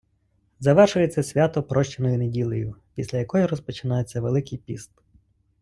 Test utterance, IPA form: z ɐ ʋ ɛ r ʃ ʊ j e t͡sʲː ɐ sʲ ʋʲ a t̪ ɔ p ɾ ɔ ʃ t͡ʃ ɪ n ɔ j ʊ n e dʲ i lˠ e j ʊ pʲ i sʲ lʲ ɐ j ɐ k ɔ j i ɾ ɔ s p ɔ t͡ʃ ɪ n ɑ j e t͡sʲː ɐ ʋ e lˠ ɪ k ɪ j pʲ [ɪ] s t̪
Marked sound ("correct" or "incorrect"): incorrect